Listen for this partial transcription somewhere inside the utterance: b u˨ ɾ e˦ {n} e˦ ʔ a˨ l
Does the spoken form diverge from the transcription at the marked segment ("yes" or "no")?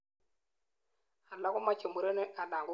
no